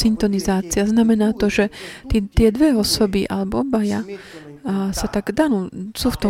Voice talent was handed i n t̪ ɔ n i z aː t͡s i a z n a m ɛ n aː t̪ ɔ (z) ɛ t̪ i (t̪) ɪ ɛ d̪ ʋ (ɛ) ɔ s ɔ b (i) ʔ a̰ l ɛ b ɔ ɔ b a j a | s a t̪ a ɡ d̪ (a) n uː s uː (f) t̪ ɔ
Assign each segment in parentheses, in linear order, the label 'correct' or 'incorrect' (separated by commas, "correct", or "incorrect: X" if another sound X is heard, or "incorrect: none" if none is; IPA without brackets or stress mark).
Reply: incorrect: ʒ, correct, correct, correct, correct, correct